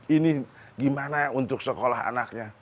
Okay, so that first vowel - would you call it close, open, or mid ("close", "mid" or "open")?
close